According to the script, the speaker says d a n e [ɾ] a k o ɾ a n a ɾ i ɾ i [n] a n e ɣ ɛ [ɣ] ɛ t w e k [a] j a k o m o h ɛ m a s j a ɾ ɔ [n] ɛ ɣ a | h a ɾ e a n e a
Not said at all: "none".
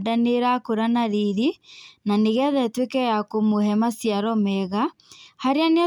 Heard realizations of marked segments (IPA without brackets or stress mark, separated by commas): ɾ, n, ð, ɛ, m